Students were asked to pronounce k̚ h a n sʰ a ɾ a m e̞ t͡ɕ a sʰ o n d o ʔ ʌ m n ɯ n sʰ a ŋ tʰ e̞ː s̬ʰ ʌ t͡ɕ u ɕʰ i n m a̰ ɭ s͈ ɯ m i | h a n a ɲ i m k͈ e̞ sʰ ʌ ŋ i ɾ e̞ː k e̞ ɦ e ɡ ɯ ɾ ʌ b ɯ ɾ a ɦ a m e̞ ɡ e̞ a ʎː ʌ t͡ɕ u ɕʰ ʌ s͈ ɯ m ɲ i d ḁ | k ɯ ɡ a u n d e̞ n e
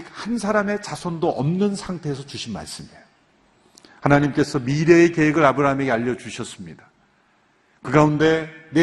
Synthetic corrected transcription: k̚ h a n sʰ a ɾ a m e̞ t͡ɕ a sʰ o n d o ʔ ʌ m n ɯ n sʰ a ŋ tʰ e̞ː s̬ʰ ʌ t͡ɕ u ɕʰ i n m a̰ ɭ s͈ ɯ m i | h a n a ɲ i m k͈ e̞ sʰ ʌ m i ɾ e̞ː k e̞ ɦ e ɡ ɯ ɾ a b ɯ ɾ a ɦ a m e̞ ɡ e̞ a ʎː ʌ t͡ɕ u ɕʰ ʌ s͈ ɯ m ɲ i d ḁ | k ɯ ɡ a u n d e̞ n e